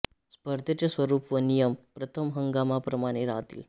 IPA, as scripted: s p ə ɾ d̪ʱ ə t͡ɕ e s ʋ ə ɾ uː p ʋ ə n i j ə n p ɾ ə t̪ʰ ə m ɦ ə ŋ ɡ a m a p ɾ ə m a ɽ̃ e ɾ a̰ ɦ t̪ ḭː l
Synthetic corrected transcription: s p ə ɾ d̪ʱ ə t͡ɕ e s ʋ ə ɾ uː p ʋ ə n i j ə m p ɾ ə t̪ʰ ə m ɦ ə ŋ ɡ a m a p ɾ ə m a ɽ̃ e ɾ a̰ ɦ t̪ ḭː l